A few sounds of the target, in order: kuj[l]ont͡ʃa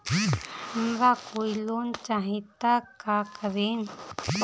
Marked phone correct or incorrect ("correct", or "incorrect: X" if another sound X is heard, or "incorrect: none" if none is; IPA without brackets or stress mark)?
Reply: correct